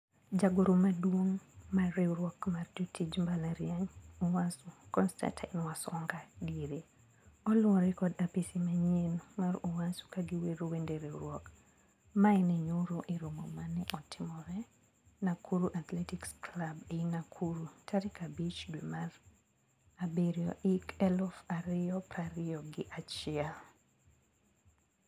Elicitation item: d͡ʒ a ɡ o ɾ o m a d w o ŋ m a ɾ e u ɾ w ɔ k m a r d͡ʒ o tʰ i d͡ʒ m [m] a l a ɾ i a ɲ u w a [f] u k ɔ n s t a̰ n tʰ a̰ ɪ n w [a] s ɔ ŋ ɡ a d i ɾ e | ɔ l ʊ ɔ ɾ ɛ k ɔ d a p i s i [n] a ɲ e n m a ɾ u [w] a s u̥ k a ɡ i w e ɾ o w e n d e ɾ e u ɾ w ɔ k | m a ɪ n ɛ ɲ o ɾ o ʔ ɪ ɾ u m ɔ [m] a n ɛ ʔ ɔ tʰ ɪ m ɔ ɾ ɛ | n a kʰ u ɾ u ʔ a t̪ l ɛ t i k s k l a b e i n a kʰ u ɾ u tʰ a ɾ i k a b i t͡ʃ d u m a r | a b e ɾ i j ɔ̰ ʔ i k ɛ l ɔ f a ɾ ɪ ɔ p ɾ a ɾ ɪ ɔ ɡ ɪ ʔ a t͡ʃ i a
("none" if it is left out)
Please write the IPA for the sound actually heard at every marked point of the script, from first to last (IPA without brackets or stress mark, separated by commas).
b, s, a, m, w, m